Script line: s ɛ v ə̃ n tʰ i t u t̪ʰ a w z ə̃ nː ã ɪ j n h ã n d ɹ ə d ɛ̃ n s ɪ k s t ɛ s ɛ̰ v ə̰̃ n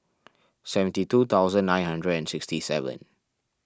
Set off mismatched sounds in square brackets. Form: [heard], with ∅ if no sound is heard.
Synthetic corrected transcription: s ɛ v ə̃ n [t] i t u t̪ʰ a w z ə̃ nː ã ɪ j n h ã n d ɹ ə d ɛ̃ n s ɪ k s t [i] s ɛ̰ v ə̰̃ n